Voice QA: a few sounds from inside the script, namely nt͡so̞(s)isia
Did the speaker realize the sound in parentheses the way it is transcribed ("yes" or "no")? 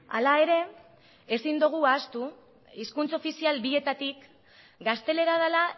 no